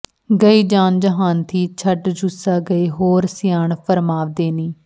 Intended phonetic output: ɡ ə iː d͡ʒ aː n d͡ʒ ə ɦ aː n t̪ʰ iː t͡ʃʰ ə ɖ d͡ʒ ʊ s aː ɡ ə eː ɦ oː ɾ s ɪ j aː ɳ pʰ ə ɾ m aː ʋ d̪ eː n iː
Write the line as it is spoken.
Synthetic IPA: ɡ ə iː d͡ʒ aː n d͡ʒ ə ɦ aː n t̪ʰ iː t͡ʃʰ ə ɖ d͡ʒ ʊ s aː ɡ ə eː ɦ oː ɾ s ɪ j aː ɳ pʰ ə ɾ m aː ʋ d̪ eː n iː